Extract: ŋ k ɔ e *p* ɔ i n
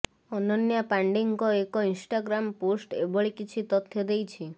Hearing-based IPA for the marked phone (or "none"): k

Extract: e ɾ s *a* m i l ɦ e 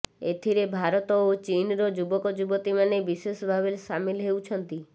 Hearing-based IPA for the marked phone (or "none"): a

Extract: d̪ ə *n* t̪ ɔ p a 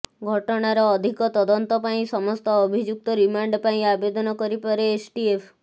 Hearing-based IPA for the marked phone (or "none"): n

